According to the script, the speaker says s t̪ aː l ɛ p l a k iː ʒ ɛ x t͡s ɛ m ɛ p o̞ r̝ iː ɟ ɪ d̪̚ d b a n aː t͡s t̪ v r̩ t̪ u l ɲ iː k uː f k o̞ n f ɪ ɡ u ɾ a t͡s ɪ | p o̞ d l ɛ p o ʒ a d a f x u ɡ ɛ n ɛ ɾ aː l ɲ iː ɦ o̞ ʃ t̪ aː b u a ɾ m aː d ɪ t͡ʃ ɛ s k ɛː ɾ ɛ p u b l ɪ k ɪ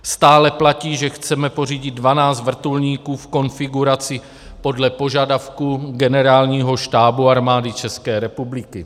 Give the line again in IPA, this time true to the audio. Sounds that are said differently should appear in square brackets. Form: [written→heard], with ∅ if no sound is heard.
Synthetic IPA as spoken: s t̪ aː l ɛ p l a [k→c] iː ʒ ɛ x t͡s ɛ m ɛ p o̞ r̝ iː ɟ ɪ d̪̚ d [b→v] a n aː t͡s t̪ v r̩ t̪ u l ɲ iː k uː f k o̞ n f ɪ ɡ u ɾ a t͡s ɪ | p o̞ d l ɛ p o ʒ a d a f [x→k] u ɡ ɛ n ɛ ɾ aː l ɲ iː ɦ o̞ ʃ t̪ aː b u a ɾ m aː d ɪ t͡ʃ ɛ s k ɛː ɾ ɛ p u b l ɪ k ɪ

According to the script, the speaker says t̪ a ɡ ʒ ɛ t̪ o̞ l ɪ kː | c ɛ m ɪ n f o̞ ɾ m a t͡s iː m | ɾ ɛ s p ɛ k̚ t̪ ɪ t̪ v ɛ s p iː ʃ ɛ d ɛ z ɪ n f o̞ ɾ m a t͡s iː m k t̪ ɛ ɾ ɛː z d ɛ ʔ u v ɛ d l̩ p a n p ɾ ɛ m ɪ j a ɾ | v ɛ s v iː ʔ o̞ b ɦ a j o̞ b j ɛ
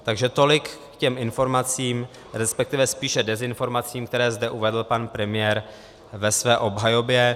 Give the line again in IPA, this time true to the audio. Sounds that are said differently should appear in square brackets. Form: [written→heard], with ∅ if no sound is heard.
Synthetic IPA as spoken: t̪ a ɡ ʒ ɛ t̪ o̞ l ɪ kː | c ɛ m ɪ n f o̞ ɾ m a t͡s iː m | ɾ ɛ s p ɛ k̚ t̪ ɪ [t̪→∅] v ɛ s p iː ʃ ɛ d ɛ z ɪ n f o̞ ɾ m a t͡s iː m k t̪ ɛ ɾ ɛː z d ɛ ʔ u v ɛ d l̩ p a n p ɾ ɛ m ɪ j [a→ɛ] ɾ | v ɛ s v [iː→ɛː] ʔ o̞ b ɦ a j o̞ b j ɛ

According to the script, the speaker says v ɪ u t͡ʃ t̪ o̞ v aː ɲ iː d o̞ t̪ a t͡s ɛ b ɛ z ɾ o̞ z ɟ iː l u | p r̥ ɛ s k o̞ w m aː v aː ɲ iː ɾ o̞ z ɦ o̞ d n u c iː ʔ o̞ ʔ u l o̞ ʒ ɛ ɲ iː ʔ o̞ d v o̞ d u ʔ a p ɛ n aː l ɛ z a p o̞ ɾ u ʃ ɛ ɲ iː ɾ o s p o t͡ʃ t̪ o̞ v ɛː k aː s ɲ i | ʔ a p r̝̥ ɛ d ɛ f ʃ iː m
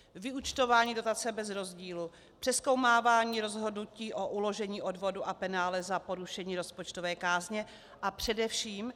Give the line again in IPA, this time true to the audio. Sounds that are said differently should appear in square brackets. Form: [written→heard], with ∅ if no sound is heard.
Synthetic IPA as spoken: v ɪ u t͡ʃ t̪ o̞ v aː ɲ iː d o̞ t̪ a t͡s ɛ b ɛ z ɾ o̞ z ɟ iː l u | p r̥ ɛ s k o̞ w m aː v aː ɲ iː ɾ o̞ z ɦ o̞ d n u c iː ʔ o̞ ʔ u l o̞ ʒ ɛ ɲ iː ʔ o̞ d v o̞ d u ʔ a p ɛ n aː l ɛ z a p o̞ ɾ u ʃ ɛ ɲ iː ɾ o s p o t͡ʃ t̪ o̞ v ɛː k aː [s→z] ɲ [i→ɛ] | ʔ a p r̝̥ ɛ d ɛ f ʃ iː m

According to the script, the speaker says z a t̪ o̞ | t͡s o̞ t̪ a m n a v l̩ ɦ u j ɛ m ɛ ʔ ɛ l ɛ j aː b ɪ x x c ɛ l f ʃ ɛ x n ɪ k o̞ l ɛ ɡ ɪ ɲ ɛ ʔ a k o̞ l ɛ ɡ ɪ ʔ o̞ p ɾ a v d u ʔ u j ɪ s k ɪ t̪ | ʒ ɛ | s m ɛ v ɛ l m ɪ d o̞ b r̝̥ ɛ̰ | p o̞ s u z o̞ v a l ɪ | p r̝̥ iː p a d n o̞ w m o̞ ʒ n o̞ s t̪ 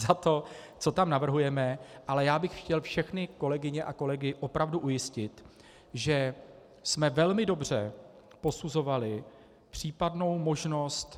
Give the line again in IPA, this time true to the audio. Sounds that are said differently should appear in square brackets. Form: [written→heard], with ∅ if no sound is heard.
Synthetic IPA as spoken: z a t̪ o̞ | t͡s o̞ t̪ a m n a v [l̩→r̩] ɦ u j ɛ m ɛ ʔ [ɛ→a] l ɛ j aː b ɪ x x c ɛ l f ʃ ɛ x n ɪ k o̞ l ɛ ɡ ɪ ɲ ɛ ʔ a k o̞ l ɛ ɡ ɪ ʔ o̞ p ɾ a v d u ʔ u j ɪ s [k→c] ɪ t̪ | ʒ ɛ | s m ɛ v ɛ l m ɪ d o̞ b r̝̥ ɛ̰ | p o̞ s u z o̞ v a l ɪ | p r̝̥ iː p a d n o̞ w m o̞ ʒ n o̞ s t̪

